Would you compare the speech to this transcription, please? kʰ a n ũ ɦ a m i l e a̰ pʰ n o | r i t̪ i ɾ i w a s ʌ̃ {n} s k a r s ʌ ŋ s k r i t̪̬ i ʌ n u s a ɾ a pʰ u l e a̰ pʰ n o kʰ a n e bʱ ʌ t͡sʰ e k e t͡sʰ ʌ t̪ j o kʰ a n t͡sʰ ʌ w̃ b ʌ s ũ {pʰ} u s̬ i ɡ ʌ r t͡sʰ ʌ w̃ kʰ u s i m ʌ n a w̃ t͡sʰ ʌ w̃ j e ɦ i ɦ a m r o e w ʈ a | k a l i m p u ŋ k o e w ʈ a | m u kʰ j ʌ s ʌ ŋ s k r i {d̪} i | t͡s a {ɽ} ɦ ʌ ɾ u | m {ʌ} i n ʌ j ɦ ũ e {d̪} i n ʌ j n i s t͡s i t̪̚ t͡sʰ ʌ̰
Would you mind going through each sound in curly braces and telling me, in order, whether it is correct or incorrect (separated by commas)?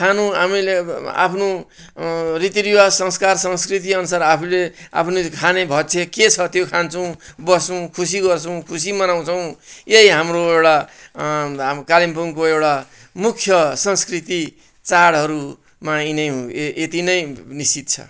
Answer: incorrect, incorrect, incorrect, correct, incorrect, incorrect